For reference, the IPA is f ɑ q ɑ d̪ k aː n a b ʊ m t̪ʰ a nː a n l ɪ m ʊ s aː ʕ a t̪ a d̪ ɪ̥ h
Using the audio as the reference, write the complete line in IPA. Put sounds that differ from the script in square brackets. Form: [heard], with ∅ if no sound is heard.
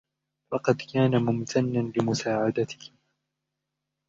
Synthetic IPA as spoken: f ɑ q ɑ d̪ k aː n a [m] ʊ m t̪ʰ a nː a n l ɪ m ʊ s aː ʕ a [d̪] a [t̪] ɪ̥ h